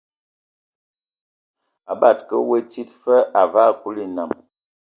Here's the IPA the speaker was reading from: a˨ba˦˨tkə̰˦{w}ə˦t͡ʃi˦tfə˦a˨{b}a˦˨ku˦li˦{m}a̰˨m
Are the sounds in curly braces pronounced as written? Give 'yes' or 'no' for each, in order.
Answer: yes, no, no

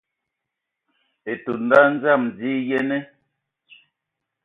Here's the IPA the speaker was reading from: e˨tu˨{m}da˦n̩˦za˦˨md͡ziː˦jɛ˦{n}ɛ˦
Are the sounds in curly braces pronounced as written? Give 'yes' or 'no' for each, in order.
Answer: no, yes

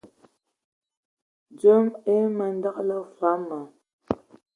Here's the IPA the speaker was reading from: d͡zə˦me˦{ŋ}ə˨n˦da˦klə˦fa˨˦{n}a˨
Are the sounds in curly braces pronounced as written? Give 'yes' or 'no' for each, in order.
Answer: no, no

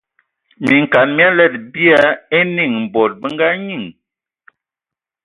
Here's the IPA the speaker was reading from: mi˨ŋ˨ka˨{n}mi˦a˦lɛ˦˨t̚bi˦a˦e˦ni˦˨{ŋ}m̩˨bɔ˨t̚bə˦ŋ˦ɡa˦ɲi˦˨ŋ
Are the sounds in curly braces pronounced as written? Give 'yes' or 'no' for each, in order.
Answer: yes, yes

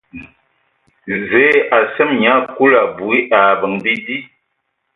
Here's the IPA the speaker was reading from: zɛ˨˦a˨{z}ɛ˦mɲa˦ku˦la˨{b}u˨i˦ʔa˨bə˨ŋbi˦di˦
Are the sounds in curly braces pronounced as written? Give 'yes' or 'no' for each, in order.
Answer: no, yes

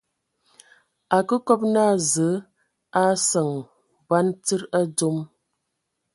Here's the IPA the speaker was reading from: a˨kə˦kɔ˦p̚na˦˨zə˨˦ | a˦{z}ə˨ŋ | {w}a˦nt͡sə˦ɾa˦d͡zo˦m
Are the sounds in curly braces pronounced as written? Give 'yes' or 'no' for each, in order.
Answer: no, no

